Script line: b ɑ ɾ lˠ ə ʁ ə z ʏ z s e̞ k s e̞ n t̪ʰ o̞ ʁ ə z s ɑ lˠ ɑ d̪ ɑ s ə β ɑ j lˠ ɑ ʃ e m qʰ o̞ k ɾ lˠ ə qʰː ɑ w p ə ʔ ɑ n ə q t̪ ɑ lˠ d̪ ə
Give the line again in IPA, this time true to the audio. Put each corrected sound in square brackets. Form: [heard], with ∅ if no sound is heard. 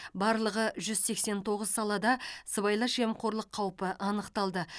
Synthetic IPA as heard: b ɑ ɾ lˠ ə ʁ ə [ʒ] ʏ z s e̞ k s e̞ n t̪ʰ o̞ ʁ ə z s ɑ lˠ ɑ d̪ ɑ s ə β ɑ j lˠ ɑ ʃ e m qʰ o̞ [∅] ɾ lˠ ə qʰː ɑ w p ə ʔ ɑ n ə q t̪ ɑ lˠ d̪ ə